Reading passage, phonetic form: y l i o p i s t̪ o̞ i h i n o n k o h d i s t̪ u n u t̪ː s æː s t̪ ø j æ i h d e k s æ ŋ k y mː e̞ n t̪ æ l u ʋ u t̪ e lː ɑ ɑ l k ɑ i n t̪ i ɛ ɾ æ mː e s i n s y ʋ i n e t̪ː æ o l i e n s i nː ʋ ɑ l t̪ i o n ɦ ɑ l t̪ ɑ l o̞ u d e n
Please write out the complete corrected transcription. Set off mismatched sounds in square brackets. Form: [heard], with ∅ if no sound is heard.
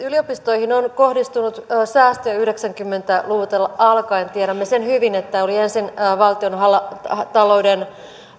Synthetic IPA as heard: y l i o p i s t̪ o̞ i h i n o n k o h d i s t̪ u n u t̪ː s æː s t̪ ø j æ [y] h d e k s æ ŋ k y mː e̞ n t̪ æ l u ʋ u t̪ e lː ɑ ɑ l k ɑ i n t̪ i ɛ ɾ æ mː e s [e] n [h] y ʋ i n e t̪ː æ o l i e n s i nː ʋ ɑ l t̪ i o n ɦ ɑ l t̪ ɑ l o̞ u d e n